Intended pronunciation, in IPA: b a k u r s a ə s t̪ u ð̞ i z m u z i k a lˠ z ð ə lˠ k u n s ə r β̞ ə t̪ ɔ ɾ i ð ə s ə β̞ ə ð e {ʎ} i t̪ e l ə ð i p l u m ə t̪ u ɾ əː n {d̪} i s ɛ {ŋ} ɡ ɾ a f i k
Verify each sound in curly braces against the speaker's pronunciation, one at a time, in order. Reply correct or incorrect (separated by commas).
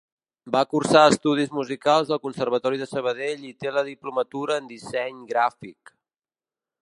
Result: correct, correct, incorrect